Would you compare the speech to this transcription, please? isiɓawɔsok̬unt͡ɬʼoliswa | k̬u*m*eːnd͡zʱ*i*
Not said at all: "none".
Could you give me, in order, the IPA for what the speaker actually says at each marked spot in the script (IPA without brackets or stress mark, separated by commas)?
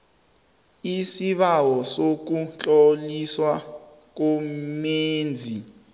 m, i